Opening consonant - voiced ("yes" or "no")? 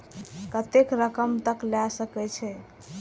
no